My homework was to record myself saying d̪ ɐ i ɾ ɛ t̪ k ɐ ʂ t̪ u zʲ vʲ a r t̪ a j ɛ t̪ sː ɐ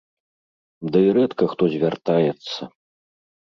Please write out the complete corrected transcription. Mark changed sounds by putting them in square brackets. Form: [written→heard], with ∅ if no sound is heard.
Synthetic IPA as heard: d̪ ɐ i ɾ ɛ t̪ k ɐ [ʂ→x] t̪ [u→ɔ] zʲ vʲ a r t̪ a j ɛ t̪ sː ɐ